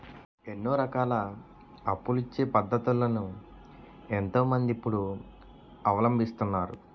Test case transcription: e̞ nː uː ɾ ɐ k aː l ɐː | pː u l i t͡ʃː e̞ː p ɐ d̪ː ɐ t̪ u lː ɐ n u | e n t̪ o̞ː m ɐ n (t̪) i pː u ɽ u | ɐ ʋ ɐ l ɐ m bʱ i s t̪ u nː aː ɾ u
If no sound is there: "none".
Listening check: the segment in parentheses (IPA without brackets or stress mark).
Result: d̪